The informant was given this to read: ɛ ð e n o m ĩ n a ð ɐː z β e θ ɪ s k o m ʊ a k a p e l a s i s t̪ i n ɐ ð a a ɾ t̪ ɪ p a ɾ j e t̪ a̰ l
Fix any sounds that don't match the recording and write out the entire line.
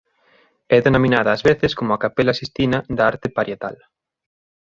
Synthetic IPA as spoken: ɛ ð e n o m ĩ n a ð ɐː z β e θ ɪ s k o m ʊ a k a p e l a s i s t̪ i n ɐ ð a a ɾ t̪ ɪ p a ɾ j e t̪ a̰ l